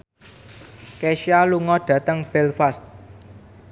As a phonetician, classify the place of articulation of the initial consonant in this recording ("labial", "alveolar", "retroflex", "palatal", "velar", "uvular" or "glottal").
velar